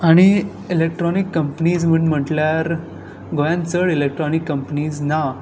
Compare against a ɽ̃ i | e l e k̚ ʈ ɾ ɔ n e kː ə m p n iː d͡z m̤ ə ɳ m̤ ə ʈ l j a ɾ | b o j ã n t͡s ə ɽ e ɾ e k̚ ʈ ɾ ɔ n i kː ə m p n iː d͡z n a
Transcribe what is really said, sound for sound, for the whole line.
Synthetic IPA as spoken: a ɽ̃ i | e l e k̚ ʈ ɾ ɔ n i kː ə m p n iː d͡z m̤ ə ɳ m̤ ə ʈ l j a ɾ | ɡ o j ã n t͡s ə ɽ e l e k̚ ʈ ɾ ɔ n i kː ə m p n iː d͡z n a